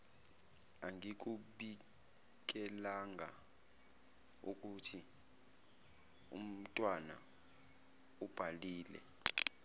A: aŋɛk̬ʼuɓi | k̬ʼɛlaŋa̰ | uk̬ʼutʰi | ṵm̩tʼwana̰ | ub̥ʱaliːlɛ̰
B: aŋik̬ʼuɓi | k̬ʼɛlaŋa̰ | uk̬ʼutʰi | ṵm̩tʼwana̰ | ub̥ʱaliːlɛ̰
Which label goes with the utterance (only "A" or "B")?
B